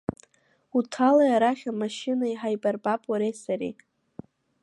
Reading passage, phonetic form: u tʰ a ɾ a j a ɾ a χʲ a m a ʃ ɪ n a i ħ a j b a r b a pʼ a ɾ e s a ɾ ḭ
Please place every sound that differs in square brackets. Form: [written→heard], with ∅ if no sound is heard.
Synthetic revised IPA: u tʰ a [ɾ→l] a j a ɾ a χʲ a m a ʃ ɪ n a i ħ a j b a r b a pʼ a ɾ e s a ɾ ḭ